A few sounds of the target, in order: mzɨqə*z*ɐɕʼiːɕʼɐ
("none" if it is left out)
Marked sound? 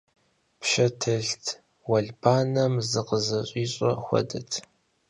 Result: z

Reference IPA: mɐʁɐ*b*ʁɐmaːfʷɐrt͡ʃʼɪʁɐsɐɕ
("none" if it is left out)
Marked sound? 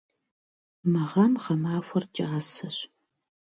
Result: m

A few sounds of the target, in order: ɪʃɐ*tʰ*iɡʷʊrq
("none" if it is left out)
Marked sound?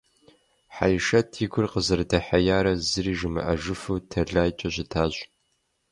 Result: tʰ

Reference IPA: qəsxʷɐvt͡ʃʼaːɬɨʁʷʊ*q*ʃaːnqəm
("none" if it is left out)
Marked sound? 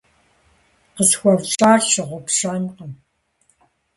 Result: p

